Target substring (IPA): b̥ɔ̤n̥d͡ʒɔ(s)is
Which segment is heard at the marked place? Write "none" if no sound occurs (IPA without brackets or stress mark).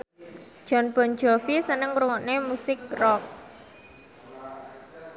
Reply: f